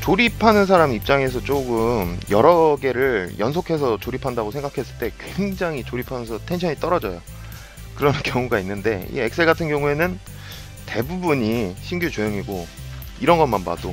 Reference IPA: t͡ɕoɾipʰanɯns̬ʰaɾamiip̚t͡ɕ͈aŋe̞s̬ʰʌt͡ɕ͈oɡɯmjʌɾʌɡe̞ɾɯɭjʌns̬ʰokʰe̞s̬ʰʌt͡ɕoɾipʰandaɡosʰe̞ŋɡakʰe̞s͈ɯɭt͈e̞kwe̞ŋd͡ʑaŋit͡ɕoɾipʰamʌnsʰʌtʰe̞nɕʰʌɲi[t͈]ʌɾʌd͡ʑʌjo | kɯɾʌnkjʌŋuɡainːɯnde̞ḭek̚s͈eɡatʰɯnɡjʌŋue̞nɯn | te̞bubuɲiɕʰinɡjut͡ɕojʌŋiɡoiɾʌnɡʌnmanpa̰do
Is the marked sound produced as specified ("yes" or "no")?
yes